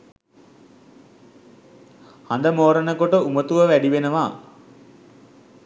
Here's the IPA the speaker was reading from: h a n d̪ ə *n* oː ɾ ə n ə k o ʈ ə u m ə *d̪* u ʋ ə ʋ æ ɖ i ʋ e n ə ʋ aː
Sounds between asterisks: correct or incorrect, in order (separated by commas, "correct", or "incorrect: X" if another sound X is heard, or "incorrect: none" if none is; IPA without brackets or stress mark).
incorrect: m, incorrect: t̪